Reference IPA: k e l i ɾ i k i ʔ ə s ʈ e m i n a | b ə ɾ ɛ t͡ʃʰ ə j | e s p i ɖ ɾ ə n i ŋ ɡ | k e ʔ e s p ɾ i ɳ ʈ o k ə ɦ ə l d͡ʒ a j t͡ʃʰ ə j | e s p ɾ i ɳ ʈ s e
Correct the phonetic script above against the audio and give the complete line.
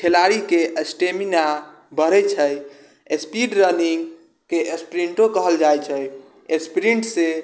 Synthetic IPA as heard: kʰ e l a ɾ i k e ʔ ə s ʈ e m i n a | b ə ɾ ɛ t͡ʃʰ ə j | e s p i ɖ ɾ ə n i ŋ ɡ | k e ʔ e s p ɾ i ɳ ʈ o k ə ɦ ə l d͡ʒ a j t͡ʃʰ ə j | e s p ɾ i ɳ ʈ s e